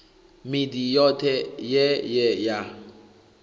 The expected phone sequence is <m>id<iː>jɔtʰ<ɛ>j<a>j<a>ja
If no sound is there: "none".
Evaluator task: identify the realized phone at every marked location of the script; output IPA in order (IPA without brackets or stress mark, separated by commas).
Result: m, i, ɛ, ɛ, ɛ